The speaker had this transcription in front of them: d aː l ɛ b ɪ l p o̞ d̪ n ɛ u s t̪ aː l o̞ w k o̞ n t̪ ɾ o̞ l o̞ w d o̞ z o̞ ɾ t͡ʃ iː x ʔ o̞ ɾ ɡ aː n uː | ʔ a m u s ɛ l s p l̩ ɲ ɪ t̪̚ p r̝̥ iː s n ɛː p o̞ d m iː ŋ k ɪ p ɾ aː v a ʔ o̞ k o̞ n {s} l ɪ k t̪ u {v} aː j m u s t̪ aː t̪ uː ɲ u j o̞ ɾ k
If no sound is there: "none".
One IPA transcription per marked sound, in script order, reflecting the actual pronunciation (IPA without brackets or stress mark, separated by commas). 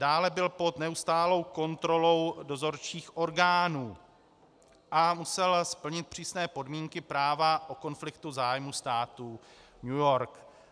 f, z